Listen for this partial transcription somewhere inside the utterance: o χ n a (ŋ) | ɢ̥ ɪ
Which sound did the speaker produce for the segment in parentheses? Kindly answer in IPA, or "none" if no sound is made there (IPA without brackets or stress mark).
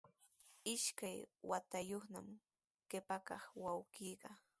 m